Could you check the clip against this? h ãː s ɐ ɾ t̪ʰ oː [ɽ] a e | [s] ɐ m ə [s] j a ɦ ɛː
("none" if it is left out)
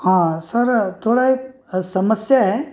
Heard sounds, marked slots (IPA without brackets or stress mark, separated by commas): ɽ, s, s